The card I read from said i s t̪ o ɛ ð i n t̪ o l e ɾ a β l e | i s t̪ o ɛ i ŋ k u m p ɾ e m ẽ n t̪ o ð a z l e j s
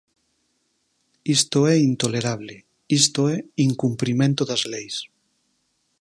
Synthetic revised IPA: i s t̪ o ɛ i n t̪ o l e ɾ a β l e | i s t̪ o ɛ i ŋ k u m p ɾ i m ẽ n t̪ o ð a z l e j s